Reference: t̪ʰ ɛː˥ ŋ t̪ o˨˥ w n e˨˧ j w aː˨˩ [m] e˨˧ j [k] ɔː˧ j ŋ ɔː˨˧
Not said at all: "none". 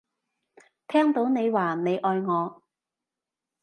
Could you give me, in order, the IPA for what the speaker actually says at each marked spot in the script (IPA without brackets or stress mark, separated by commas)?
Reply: n, ʔ